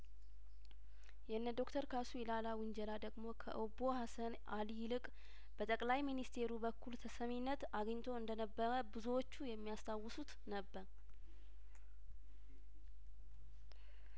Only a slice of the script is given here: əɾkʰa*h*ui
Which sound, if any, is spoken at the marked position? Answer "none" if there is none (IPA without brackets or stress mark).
s